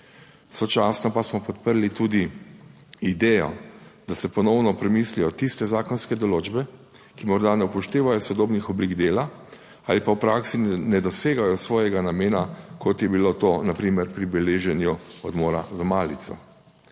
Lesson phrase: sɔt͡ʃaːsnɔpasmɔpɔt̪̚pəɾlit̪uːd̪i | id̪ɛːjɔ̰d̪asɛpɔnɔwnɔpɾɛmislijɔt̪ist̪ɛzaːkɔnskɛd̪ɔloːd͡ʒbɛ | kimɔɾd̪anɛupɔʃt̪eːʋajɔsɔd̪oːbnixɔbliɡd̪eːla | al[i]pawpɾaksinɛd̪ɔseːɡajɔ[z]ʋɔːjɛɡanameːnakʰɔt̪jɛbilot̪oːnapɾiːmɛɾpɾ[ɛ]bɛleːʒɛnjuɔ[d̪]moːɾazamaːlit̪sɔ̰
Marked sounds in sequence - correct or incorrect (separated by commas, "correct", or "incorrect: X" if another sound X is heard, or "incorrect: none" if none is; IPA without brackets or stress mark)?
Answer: correct, incorrect: s, incorrect: i, correct